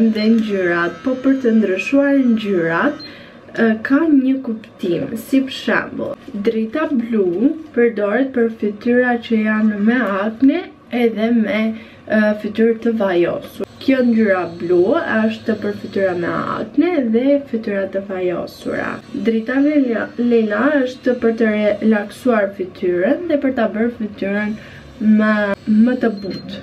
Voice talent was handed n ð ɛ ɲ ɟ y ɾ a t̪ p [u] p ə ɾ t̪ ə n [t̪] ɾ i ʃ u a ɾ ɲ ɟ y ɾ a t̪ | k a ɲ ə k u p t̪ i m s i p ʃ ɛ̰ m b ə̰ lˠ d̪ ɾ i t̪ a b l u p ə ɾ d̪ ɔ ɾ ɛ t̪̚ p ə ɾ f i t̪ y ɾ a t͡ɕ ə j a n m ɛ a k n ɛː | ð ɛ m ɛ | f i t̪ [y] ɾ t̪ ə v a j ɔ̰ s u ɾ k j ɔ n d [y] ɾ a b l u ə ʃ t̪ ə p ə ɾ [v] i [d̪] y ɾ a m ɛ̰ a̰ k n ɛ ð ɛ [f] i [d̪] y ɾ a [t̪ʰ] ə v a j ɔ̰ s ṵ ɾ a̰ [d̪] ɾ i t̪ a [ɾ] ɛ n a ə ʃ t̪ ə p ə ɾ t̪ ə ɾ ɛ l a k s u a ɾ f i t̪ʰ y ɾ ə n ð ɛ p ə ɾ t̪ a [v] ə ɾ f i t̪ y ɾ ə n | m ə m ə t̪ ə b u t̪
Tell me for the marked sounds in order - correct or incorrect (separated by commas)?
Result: incorrect, incorrect, correct, correct, incorrect, incorrect, correct, incorrect, incorrect, correct, incorrect, incorrect